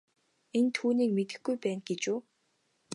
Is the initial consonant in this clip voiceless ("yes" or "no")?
no